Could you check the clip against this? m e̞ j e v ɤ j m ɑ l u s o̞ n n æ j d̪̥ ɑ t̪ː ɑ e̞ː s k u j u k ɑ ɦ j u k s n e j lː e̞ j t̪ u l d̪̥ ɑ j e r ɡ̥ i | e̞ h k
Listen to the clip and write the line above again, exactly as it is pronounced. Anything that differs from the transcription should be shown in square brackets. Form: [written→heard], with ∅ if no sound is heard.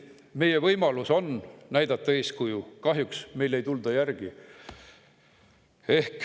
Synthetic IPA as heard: m e̞ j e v ɤ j m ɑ l u s o̞ n n æ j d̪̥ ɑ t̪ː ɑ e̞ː s k u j u k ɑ ɦ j u k s [n→m] e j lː e̞ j t̪ u l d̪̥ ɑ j [e→æ] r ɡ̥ i | e̞ h k

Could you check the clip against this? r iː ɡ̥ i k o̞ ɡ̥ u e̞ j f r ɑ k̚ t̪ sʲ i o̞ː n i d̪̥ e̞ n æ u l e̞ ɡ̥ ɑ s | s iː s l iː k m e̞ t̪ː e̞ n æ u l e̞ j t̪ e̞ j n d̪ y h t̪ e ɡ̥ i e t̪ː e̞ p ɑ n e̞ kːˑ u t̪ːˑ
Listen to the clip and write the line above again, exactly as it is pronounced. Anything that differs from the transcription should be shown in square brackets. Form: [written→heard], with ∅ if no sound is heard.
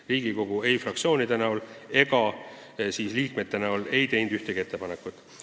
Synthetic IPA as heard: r iː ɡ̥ i k o̞ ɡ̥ u e̞ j f r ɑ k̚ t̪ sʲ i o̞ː n i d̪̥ e̞ n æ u l e̞ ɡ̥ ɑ [s→∅] | s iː s l iː k m e̞ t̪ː e̞ n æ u l e̞ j t̪ e̞ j n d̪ y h t̪ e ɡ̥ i e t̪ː e̞ p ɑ n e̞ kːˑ u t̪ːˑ

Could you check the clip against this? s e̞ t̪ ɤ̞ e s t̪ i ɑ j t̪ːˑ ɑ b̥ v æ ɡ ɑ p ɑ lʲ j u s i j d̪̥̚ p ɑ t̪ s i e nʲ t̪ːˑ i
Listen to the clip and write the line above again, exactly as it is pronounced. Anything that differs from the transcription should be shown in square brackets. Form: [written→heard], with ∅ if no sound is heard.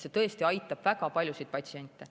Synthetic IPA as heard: s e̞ t̪ ɤ̞ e s t̪ i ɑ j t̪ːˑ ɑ b̥ v æ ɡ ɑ p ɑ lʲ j u s i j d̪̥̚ p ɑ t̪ s i e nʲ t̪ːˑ [i→e]

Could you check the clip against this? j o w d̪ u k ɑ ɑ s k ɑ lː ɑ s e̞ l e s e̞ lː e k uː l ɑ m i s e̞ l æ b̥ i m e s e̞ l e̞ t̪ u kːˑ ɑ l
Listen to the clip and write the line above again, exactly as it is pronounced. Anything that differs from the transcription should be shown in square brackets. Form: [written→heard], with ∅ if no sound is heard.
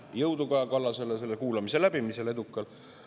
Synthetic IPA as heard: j [o→ɤ] w d̪ u k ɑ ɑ [s→∅] k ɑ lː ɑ s e̞ l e s e̞ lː e k uː l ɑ m i s e̞ l æ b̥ i m [e→i] s e̞ l e̞ [t̪→d̪] u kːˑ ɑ l

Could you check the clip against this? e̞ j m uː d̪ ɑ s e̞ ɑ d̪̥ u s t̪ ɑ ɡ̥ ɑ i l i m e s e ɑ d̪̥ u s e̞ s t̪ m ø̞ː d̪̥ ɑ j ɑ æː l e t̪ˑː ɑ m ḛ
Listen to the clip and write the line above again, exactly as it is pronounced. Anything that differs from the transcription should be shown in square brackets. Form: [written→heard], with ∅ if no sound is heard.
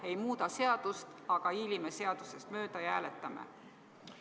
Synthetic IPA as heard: e̞ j m uː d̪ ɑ s e̞ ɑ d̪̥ u s t̪ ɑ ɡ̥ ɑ i l i m e s e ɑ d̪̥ u s e̞ s t̪ m ø̞ː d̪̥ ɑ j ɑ æː l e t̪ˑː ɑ m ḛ

